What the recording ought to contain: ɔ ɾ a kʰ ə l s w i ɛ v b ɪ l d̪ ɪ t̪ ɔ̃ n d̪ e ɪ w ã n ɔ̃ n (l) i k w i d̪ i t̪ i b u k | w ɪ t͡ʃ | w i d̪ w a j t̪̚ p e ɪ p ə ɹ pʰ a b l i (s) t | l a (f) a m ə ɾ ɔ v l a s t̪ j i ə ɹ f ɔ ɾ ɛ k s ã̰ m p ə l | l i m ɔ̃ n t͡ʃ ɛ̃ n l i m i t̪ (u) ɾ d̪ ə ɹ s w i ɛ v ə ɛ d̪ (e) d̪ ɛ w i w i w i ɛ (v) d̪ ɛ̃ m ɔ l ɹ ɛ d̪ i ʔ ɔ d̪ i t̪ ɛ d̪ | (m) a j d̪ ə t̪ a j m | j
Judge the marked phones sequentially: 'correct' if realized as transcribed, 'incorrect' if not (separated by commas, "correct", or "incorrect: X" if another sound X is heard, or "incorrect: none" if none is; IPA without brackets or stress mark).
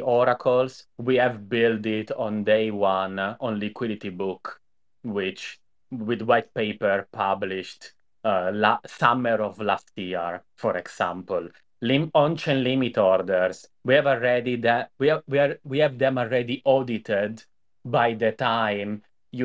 correct, incorrect: ʃ, incorrect: s, incorrect: ɔ, incorrect: i, correct, incorrect: b